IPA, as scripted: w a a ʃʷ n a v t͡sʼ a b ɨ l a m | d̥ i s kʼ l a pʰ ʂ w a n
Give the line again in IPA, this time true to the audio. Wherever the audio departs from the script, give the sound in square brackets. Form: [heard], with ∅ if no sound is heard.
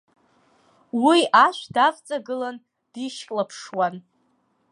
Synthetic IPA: w [i] a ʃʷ [d] a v t͡sʼ a [ɡ] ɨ l a [n] | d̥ i [ʃ] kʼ l a pʰ ʂ w a n